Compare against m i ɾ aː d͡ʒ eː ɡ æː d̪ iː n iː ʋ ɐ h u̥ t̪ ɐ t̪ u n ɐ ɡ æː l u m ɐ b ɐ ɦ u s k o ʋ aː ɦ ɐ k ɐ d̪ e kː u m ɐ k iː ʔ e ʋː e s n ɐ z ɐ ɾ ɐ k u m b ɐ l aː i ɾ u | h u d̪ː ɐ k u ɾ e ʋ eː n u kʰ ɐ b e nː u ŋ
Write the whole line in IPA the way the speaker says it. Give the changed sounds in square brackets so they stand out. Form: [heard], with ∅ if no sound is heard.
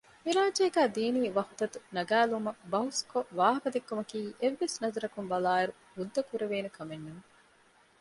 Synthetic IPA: m i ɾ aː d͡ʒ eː ɡ æː d̪ iː n iː ʋ ɐ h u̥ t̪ ɐ t̪ u n ɐ ɡ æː l u m ɐ b ɐ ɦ u s k o ʋ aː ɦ ɐ k ɐ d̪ e kː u m ɐ k iː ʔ e ʋː e s n ɐ z ɐ ɾ ɐ k u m b ɐ l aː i ɾ u | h u d̪ː ɐ k u ɾ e ʋ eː n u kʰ ɐ [m] e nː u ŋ